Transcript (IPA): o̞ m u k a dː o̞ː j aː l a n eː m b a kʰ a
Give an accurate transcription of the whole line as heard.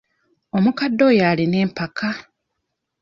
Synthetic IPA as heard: o̞ m u k a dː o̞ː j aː l i n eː m p a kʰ a